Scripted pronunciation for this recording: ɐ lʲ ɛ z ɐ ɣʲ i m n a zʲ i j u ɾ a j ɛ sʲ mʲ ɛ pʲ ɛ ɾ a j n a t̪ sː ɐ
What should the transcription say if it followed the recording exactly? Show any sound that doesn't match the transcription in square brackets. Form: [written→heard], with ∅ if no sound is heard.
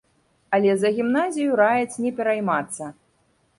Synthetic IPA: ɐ lʲ ɛ z ɐ ɣʲ i m n a zʲ i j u ɾ a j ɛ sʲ [mʲ→nʲ] ɛ pʲ ɛ ɾ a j [n→m] a t̪ sː ɐ